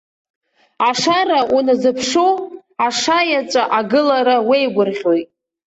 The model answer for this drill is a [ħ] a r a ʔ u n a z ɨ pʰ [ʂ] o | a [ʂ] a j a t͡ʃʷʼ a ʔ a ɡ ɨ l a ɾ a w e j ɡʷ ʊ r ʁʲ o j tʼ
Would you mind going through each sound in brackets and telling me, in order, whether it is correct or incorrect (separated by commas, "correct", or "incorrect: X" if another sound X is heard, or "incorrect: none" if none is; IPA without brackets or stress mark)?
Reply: incorrect: ʂ, correct, correct